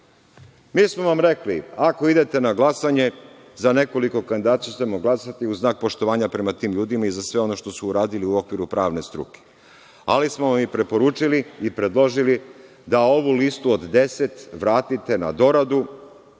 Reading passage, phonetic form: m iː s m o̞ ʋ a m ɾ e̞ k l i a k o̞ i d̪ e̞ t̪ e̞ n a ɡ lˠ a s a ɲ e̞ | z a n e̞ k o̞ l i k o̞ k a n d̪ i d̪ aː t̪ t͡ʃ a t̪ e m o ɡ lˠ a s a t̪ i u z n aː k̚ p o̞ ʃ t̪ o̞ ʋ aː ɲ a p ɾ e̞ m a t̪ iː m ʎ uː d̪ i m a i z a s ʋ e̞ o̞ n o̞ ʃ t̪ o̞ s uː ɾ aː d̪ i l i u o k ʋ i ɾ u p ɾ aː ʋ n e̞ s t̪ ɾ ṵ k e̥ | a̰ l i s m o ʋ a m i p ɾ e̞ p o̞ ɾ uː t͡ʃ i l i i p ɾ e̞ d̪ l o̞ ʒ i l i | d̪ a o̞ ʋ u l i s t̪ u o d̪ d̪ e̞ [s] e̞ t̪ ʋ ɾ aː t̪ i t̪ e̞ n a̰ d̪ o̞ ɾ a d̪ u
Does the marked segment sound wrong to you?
no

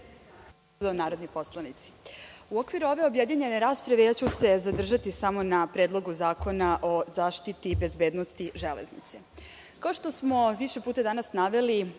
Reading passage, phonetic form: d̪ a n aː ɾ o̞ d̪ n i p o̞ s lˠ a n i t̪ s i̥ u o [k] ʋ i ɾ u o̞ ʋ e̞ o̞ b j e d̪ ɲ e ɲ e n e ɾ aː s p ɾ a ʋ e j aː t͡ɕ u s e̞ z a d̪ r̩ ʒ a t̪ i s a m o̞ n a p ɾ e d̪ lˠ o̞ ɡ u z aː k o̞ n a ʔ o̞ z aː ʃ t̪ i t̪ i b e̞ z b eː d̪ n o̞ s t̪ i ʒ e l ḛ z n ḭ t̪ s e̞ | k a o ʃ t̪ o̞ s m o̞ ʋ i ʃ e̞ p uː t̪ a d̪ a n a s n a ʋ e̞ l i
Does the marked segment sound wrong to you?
no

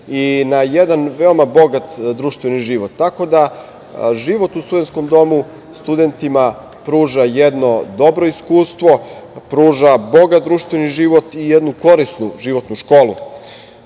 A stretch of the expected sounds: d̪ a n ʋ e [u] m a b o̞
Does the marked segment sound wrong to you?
yes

